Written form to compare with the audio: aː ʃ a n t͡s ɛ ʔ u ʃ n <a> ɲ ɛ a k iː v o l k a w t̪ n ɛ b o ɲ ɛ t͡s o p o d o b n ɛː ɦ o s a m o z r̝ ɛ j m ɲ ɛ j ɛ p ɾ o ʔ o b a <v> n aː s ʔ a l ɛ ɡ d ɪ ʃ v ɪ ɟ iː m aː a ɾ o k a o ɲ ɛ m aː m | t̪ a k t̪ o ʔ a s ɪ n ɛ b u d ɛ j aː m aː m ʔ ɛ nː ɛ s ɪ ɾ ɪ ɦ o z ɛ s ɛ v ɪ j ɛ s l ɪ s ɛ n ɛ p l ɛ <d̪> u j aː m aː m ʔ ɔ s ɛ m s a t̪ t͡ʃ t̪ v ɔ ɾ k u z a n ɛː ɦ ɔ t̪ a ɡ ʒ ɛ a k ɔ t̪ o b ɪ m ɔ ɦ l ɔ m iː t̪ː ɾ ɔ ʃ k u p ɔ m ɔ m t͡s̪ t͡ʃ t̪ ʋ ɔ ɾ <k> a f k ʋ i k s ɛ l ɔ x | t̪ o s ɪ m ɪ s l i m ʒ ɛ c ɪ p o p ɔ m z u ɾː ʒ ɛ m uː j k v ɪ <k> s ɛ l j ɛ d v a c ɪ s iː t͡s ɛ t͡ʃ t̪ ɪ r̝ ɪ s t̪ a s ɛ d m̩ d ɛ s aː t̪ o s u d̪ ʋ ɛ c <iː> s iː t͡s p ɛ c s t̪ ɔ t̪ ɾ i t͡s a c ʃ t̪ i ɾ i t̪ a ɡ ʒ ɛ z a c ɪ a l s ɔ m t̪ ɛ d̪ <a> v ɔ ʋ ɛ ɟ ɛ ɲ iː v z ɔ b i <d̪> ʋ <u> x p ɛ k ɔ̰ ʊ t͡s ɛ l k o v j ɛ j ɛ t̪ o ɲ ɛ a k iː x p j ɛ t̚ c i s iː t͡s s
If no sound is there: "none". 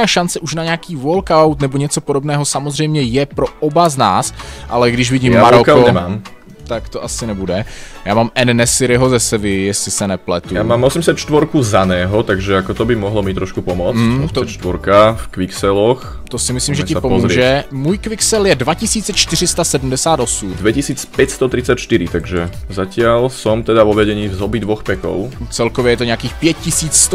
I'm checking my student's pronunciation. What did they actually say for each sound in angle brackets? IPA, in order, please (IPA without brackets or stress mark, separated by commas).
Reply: a, z, t̪, k, k, i, a, d̪, ɔ